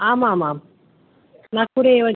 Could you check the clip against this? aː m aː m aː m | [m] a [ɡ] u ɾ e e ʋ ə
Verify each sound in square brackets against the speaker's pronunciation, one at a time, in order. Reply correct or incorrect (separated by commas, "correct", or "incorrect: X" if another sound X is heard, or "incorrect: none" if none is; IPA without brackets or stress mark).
incorrect: n, incorrect: k